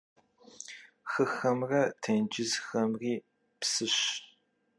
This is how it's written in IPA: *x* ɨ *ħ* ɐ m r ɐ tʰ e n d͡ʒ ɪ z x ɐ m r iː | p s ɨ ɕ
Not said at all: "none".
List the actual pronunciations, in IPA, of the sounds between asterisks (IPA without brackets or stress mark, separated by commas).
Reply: x, x